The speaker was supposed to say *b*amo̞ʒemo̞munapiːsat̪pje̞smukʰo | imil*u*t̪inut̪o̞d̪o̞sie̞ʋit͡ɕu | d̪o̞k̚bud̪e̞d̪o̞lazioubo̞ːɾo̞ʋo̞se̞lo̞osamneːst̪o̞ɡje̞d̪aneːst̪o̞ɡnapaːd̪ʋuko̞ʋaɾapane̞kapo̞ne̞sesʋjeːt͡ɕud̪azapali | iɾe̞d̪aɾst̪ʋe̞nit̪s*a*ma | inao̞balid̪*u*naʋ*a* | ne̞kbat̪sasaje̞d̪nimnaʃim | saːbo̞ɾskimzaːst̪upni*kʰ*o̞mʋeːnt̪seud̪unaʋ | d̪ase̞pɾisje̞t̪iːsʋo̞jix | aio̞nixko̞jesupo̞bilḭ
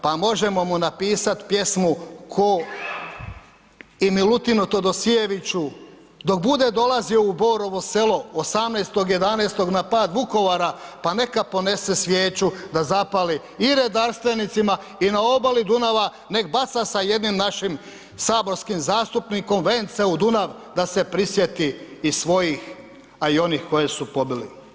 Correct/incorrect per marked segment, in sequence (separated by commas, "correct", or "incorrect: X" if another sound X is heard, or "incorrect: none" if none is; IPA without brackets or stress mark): incorrect: p, correct, incorrect: i, correct, correct, incorrect: k